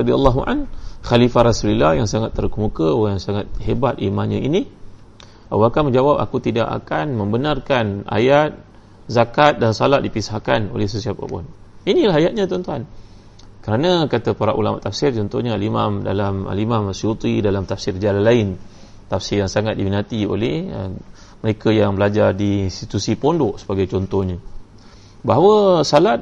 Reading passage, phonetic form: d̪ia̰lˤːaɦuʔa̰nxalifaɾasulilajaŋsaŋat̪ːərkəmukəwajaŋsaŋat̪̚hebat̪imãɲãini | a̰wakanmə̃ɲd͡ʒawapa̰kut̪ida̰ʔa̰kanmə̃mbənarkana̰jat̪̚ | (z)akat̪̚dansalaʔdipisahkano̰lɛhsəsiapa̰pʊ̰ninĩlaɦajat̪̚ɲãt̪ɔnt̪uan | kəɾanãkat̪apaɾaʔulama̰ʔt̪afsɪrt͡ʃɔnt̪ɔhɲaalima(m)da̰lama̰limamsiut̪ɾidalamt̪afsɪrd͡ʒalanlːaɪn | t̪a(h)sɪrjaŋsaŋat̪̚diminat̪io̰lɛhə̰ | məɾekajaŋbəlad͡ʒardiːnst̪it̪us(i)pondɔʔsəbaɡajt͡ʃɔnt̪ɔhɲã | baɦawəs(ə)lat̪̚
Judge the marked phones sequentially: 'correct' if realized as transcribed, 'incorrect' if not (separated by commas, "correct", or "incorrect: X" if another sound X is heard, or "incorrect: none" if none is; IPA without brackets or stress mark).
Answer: correct, correct, incorrect: f, correct, incorrect: a